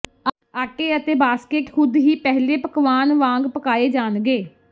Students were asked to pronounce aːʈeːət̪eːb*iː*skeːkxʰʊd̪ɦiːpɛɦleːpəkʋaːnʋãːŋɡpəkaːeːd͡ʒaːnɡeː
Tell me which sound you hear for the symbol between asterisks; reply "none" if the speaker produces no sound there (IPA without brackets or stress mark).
aː